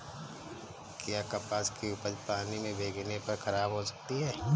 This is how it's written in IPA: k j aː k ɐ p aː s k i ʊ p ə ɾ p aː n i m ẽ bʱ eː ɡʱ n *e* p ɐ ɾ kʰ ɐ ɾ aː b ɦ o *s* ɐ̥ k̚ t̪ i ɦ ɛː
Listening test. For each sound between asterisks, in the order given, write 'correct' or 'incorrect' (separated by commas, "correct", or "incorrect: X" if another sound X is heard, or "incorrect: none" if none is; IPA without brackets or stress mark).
correct, correct